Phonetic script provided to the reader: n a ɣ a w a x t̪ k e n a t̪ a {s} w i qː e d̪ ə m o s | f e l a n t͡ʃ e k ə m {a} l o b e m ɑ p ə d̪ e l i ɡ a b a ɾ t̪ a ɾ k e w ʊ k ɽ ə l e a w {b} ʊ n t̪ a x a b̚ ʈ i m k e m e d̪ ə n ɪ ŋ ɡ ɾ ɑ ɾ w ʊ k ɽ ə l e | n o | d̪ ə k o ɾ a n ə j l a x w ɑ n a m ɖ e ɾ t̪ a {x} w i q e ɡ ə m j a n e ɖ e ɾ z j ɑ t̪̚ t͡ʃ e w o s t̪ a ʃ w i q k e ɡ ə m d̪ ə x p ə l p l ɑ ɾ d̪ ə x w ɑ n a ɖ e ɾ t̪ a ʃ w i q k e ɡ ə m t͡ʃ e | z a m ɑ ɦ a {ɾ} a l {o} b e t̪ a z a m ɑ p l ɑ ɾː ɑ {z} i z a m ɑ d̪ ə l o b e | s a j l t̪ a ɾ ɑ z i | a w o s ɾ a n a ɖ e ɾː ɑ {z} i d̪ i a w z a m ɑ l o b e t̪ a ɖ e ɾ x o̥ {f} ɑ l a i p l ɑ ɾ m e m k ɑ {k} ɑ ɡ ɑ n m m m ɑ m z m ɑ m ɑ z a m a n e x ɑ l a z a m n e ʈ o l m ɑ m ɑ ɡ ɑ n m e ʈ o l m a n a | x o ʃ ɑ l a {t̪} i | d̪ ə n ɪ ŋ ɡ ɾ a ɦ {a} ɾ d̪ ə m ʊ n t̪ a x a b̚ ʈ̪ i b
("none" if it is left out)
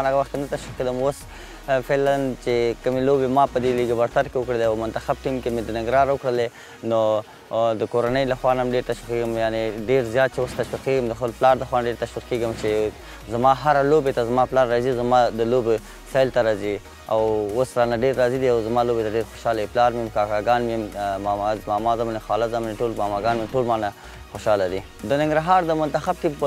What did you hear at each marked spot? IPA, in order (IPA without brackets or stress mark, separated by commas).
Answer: ʃ, e, m, ʃ, ɾ, o, z, z, ʃ, k, d̪, ɑ